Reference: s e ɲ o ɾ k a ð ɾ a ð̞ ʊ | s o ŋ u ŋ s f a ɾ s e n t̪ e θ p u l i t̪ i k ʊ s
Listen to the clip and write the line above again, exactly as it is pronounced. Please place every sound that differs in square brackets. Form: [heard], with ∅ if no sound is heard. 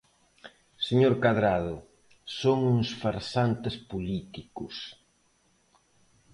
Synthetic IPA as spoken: s e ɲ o ɾ k a ð ɾ a ð̞ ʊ | s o ŋ u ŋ s f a ɾ s [a] n t̪ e [s] p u l i t̪ i k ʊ s